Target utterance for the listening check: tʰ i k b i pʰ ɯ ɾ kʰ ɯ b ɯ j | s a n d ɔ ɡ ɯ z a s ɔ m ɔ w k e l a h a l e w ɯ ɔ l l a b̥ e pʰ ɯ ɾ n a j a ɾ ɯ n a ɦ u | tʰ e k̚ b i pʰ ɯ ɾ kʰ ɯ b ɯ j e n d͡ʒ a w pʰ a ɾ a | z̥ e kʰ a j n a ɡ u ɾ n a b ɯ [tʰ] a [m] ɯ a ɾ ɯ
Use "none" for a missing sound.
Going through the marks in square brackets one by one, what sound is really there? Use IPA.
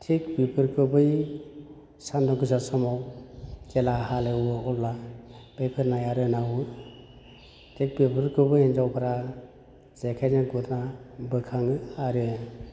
kʰ, ŋ

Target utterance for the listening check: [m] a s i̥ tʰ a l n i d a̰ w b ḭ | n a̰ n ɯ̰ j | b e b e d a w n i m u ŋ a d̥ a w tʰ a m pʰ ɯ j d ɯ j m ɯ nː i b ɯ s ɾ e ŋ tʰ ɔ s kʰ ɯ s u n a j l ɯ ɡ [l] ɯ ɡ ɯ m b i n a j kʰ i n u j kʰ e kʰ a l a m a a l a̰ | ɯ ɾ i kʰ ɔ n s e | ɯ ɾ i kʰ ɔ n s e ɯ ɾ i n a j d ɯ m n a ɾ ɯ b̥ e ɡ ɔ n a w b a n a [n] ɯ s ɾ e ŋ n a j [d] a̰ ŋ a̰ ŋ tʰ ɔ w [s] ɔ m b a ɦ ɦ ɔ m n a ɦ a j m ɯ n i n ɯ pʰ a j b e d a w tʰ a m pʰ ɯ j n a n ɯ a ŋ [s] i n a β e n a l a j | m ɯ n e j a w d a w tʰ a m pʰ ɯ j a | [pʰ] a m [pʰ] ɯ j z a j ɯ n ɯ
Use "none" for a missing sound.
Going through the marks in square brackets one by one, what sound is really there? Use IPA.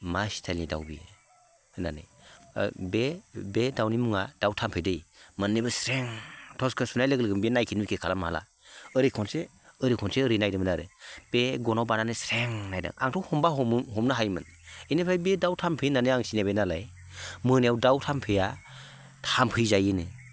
m, l, n, d, h, s, tʰ, pʰ

